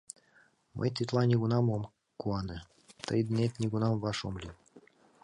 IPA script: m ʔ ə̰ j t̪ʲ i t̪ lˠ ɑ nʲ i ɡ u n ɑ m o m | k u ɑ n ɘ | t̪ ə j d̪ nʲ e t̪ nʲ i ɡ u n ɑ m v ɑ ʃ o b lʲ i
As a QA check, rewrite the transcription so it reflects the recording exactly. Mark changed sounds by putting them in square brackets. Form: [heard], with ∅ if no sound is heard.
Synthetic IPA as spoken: m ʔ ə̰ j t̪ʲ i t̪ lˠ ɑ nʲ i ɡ u n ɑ m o m | k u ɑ n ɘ | t̪ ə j d̪ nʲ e t̪ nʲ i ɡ u n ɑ m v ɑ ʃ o [m] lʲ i